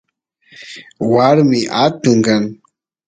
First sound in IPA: w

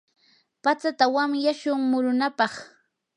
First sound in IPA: p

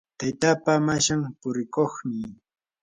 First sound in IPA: t̪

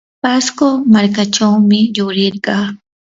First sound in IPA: p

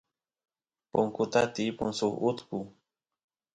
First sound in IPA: p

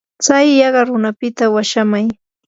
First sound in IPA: t͡s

